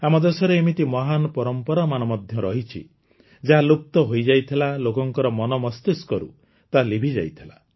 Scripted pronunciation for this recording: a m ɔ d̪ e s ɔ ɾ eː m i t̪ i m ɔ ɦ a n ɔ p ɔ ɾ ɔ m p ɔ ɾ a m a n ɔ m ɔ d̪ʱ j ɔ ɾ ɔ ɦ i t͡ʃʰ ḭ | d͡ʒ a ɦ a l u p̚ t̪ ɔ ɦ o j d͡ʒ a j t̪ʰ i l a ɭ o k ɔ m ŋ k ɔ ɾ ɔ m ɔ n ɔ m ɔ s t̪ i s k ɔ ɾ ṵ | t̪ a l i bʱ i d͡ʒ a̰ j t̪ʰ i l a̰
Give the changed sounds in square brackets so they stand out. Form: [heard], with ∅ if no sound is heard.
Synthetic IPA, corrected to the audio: a m ɔ d̪ e s ɔ ɾ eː m i t̪ i m ɔ ɦ a n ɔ p ɔ ɾ ɔ m p ɔ ɾ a m a n ɔ m ɔ d̪ʱ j ɔ ɾ ɔ ɦ i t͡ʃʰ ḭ | d͡ʒ a ɦ a l u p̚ t̪ ɔ ɦ o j d͡ʒ a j t̪ʰ i l a [l] o k ɔ [∅] ŋ k ɔ ɾ ɔ m ɔ n ɔ m ɔ s t̪ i s k ɔ ɾ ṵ | t̪ a l i bʱ i d͡ʒ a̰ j t̪ʰ i l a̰